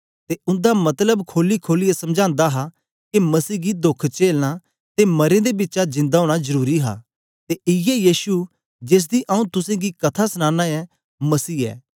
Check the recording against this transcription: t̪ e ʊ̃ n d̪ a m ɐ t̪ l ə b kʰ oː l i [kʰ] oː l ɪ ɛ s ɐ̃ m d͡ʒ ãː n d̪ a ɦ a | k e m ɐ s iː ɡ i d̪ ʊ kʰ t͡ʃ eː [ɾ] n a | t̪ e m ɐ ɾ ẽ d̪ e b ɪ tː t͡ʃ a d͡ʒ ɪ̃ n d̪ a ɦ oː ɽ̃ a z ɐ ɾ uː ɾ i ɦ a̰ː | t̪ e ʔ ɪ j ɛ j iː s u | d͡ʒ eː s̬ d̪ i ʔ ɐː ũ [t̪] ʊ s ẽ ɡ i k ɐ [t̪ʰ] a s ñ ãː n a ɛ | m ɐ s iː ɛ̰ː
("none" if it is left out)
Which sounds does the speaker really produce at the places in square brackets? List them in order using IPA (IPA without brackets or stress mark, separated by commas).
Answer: kʰ, l, t̪, t̪ʰ